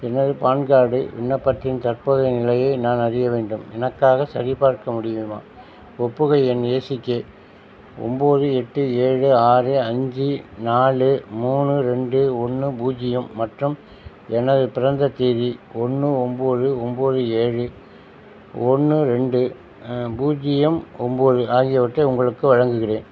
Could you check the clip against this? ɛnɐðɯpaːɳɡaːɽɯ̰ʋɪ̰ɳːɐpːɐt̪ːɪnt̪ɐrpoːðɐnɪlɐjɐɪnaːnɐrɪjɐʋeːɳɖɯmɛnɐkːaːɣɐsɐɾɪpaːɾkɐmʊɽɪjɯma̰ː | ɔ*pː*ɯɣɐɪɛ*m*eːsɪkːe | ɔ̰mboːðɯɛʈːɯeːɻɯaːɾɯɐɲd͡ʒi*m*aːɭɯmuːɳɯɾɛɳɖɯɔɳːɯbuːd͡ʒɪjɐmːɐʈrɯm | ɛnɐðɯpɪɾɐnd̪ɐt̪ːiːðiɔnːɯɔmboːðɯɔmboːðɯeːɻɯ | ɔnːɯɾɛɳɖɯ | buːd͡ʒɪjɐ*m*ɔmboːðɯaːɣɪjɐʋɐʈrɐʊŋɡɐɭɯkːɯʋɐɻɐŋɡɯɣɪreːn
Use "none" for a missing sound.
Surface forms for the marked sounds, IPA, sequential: pː, n, n, m

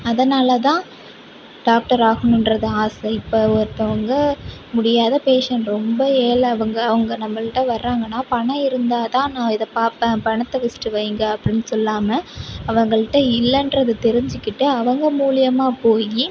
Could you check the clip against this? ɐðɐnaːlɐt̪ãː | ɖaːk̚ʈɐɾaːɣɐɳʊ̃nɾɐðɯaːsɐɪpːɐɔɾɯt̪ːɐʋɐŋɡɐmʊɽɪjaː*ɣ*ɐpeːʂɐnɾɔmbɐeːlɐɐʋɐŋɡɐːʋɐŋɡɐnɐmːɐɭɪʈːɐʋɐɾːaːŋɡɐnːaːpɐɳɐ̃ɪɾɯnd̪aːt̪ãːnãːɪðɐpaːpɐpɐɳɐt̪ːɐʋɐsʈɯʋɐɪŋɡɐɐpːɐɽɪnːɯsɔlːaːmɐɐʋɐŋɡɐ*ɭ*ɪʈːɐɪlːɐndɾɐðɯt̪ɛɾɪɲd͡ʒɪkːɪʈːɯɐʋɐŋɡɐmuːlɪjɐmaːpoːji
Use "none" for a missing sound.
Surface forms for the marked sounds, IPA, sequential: ð, ɭ

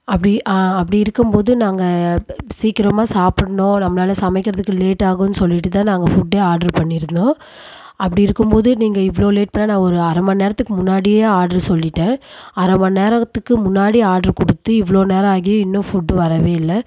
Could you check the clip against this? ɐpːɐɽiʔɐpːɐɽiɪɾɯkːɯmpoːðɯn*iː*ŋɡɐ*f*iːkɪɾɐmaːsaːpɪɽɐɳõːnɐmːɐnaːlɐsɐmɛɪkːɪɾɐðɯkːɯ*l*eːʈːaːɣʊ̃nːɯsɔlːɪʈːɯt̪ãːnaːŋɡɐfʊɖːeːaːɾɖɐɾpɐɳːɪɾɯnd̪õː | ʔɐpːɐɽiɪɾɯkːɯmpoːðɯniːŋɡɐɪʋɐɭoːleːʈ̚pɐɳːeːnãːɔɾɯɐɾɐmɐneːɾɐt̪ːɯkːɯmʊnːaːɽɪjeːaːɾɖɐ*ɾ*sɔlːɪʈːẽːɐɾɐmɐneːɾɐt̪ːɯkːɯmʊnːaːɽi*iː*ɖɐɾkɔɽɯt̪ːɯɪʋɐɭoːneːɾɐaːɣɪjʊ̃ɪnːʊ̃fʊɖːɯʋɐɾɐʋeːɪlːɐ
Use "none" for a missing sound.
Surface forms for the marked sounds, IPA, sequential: aː, s, l, ɾ, aː

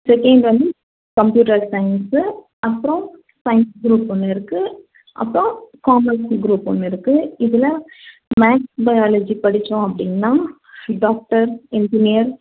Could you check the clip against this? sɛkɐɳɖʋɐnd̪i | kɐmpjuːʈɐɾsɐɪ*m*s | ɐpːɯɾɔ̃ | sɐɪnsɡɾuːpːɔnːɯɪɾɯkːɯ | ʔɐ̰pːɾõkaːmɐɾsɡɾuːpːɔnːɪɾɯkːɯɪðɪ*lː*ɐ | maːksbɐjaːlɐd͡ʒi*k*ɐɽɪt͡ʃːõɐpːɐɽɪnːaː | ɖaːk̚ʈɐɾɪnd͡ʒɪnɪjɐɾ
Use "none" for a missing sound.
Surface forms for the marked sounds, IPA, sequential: n, l, p

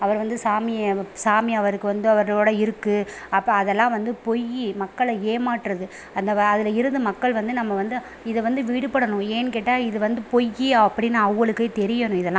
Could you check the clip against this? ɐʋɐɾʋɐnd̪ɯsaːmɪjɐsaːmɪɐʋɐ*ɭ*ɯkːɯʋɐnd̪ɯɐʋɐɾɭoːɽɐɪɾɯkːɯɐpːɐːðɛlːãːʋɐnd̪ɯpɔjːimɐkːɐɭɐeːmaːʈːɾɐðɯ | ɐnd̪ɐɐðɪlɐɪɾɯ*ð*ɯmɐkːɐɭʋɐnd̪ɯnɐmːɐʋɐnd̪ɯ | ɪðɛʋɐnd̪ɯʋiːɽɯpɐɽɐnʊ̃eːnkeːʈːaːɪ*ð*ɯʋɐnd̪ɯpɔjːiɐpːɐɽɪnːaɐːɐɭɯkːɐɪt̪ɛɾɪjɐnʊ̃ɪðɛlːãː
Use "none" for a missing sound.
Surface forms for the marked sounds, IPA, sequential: ɾ, ð, ð

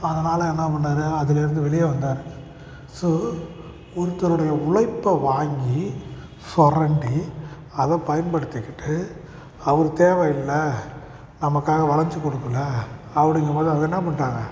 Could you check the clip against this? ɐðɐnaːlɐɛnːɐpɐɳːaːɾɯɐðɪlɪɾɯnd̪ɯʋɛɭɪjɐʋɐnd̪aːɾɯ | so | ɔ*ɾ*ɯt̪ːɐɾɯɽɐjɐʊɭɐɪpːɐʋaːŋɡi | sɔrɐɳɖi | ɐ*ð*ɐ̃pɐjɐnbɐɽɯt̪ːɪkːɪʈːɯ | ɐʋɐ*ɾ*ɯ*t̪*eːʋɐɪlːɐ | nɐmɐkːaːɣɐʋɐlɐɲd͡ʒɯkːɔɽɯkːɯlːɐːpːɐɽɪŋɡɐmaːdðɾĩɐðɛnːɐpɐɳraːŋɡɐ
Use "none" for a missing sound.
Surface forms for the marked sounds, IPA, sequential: ɾ, ð, ɾ, t̪

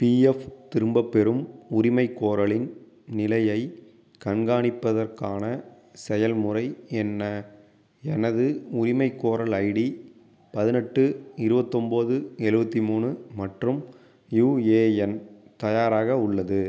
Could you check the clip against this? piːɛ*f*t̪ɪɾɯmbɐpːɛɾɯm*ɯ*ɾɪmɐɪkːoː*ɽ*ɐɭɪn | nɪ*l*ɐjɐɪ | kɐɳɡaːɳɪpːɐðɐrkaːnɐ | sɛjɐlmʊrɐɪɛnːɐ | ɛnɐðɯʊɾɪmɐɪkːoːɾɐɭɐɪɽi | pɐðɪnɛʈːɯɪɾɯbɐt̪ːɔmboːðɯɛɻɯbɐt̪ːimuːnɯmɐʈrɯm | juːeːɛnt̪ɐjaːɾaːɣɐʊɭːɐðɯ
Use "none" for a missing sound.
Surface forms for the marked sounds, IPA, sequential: f, ʊ, ɾ, l

